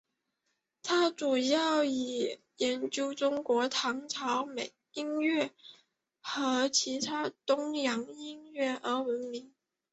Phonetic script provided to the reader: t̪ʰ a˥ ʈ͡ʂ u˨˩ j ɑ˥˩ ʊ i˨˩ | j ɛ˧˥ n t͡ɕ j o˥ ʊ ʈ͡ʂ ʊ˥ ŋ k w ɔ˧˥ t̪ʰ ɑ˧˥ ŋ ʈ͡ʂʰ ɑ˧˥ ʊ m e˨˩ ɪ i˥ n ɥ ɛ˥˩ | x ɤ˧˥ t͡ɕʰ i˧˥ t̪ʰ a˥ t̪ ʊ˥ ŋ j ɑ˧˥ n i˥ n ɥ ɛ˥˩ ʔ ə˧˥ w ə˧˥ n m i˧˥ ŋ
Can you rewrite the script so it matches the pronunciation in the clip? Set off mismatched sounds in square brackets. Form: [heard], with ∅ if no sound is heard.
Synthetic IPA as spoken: t̪ʰ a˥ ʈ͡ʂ u˨˩ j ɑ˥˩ ʊ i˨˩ | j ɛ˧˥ n t͡ɕ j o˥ ʊ ʈ͡ʂ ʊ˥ ŋ k w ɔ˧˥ t̪ʰ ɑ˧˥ ŋ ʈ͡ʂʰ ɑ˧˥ ʊ m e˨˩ ɪ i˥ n ɥ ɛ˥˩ | x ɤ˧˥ t͡ɕʰ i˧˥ t̪ʰ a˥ t̪ ʊ˥ ŋ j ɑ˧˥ [ŋ] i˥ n ɥ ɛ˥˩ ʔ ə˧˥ w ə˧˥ n m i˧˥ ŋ